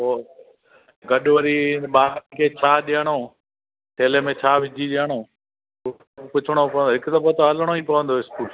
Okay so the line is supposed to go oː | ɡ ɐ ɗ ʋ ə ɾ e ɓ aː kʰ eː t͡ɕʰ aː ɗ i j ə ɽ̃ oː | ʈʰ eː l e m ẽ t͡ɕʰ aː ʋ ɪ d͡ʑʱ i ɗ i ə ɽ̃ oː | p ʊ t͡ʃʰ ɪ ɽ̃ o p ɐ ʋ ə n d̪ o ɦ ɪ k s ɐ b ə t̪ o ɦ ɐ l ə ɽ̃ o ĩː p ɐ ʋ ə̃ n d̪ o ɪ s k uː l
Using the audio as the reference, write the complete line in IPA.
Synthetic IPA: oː | ɡ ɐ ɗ ʋ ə ɾ i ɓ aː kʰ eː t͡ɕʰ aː ɗ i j ə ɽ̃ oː | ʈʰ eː l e m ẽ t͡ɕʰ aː ʋ ɪ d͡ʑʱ i ɗ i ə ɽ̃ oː | p ʊ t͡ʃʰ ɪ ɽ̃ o p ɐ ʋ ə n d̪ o ɦ ɪ k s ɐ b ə t̪ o ɦ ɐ l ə ɽ̃ o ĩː p ɐ ʋ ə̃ n d̪ o ɪ s k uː l

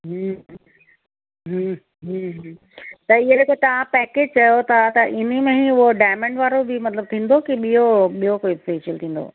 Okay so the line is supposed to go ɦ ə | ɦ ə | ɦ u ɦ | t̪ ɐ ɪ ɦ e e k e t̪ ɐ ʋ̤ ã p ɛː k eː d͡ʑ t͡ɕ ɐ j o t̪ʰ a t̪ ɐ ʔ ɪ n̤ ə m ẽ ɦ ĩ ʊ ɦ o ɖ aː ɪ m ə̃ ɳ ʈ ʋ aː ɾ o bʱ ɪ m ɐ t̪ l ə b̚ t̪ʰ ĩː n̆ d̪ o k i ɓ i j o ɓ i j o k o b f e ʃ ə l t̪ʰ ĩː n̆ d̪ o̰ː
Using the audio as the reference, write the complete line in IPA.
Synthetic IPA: ɦ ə | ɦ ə | ɦ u ɦ | t̪ ɐ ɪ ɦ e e k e t̪ ɐ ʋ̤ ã p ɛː k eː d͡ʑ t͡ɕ ɐ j o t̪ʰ a t̪ ɐ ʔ ɪ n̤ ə m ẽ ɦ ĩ ʊ ɦ o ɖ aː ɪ m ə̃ ɳ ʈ ʋ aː ɾ o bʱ ɪ m ɐ t̪ l ə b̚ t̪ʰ ĩː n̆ d̪ o k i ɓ i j o ɓ i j o k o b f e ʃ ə l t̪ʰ ĩː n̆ d̪ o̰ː

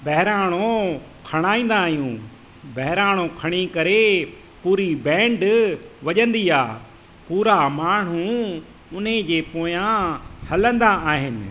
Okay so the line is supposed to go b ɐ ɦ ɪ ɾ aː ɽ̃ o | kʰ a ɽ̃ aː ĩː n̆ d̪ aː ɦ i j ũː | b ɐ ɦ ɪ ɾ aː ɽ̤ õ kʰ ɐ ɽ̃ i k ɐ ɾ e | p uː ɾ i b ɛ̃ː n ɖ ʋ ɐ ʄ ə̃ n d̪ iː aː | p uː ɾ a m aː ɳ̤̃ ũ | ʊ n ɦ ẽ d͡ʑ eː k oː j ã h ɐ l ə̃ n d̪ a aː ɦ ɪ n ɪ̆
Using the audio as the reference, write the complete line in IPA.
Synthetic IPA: b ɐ ɦ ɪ ɾ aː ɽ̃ o | kʰ ɐ ɽ̃ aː ĩː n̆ d̪ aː ɦ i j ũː | b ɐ ɦ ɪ ɾ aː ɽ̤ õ kʰ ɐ ɽ̃ i k ɐ ɾ e | p uː ɾ i b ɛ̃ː ɳ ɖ ʋ ɐ ʄ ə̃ n d̪ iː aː | p uː ɾ a m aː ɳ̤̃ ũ | ʊ n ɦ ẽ d͡ʑ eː p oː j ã h ɐ l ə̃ n d̪ a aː ɦ ɪ n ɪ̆

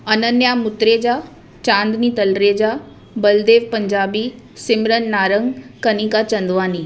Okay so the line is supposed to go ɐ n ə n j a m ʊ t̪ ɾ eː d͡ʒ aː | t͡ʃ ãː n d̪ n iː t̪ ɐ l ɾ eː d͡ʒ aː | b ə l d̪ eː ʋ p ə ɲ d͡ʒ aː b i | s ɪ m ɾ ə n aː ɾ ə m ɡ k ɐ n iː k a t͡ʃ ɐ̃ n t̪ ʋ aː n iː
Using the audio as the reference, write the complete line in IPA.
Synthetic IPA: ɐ n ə n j a m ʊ t̪ ɾ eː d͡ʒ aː | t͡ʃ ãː n d̪ n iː t̪ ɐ l ɾ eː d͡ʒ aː | b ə l d̪ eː ʋ p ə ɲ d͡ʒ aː b i | s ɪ m ɾ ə nː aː ɾ ə ŋ ɡ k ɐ n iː k a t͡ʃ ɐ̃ n d̪ ʋ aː n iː

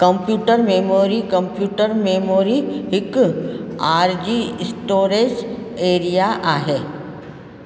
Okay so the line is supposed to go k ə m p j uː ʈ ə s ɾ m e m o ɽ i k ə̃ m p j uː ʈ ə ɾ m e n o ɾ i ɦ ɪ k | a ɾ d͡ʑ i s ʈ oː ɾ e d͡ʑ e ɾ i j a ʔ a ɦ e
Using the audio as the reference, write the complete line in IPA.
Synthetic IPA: k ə m p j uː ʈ ə ɾ m e m o ɾ i k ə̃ m p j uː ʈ ə ɾ m e m o ɾ i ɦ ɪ k | a ɾ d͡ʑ i s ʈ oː ɾ e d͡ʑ e ɾ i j a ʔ a ɦ e

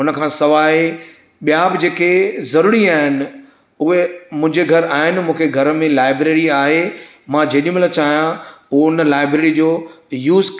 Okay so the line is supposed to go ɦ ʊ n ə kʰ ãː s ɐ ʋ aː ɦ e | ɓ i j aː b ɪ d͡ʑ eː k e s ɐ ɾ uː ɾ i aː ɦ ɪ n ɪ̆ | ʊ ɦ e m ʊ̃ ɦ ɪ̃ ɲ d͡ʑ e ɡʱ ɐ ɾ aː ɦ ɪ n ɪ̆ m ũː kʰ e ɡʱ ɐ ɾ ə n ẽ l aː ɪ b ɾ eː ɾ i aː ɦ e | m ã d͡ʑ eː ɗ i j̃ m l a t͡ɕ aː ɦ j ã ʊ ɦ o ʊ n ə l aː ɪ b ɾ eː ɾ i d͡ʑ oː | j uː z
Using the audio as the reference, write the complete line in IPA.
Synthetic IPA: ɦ ʊ n ə kʰ ãː s ɐ ʋ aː ɦ e | ɓ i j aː b ɪ d͡ʑ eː k e z ɐ ɾ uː ɾ i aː ɦ ɪ n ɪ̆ | ʊ ɦ e m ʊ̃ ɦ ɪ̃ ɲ d͡ʑ e ɡʱ ɐ ɾ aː ɦ ɪ n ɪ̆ m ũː kʰ e ɡʱ ɐ ɾ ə m ẽ l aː ɪ b ɾ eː ɾ i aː ɦ e | m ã d͡ʑ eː ɗ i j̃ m l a t͡ɕ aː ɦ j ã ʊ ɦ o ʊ n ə l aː ɪ b ɾ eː ɾ i d͡ʑ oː | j uː z

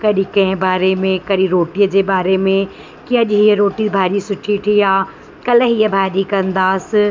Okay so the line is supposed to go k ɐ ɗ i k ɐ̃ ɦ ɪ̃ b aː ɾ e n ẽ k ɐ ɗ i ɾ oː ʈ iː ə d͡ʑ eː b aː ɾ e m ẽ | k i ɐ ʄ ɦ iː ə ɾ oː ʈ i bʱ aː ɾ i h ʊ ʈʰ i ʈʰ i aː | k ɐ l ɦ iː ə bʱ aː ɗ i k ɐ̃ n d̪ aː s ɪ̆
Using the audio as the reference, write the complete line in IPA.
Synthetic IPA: k ɐ ɗ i k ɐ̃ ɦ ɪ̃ b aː ɾ e m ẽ k ɐ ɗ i ɾ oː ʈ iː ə d͡ʑ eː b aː ɾ e m ẽ | k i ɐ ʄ ɦ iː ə ɾ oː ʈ i bʱ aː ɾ i s ʊ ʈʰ i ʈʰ i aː | k ɐ l ɦ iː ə bʱ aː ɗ i k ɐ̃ n d̪ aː s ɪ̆

